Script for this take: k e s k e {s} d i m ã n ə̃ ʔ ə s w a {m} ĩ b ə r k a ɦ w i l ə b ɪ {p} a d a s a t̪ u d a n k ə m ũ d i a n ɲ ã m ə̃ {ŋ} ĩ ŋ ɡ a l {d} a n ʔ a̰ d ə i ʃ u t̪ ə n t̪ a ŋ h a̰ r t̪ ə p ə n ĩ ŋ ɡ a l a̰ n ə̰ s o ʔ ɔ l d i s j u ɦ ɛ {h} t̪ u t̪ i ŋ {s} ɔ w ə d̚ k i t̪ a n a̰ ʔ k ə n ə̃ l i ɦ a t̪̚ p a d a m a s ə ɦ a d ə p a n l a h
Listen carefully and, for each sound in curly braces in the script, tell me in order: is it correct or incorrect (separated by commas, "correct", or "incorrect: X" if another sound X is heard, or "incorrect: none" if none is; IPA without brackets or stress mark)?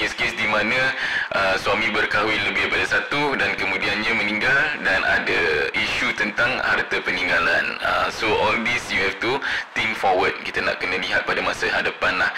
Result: correct, correct, correct, incorrect: n, correct, incorrect: f, incorrect: f